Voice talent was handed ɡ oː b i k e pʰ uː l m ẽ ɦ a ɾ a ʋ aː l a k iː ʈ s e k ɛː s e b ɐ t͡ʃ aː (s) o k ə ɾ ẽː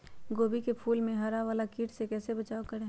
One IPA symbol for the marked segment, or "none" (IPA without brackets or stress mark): none